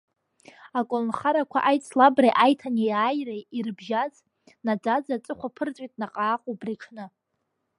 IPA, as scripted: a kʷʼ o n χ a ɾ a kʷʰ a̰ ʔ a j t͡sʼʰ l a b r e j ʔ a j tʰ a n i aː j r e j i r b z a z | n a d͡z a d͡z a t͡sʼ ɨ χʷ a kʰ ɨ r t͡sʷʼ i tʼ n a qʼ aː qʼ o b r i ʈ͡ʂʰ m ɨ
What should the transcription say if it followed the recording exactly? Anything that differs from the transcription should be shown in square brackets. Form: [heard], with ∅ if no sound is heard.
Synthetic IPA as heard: a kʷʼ o n χ a ɾ a kʷʰ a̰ ʔ a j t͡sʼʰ l a b r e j ʔ a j tʰ a n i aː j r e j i r b [ʒ] a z | n a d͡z a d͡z a t͡sʼ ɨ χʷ a [pʰ] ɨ r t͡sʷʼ i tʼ n a qʼ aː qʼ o b r i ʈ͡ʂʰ [n] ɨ